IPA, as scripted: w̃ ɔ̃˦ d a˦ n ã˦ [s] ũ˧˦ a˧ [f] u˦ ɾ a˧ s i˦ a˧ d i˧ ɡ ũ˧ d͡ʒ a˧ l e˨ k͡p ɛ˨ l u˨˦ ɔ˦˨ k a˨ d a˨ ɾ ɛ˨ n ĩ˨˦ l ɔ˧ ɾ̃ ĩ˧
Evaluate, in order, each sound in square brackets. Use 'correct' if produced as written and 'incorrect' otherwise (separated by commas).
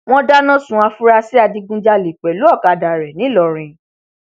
correct, correct